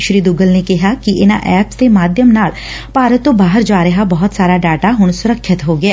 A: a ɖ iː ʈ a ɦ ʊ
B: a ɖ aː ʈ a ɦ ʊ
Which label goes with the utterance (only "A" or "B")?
B